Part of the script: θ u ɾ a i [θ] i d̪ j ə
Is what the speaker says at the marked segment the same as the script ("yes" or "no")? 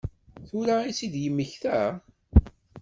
no